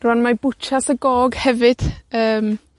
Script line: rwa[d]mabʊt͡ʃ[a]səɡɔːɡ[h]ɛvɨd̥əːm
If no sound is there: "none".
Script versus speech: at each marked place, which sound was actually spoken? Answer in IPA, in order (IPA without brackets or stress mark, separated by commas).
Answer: n, a, h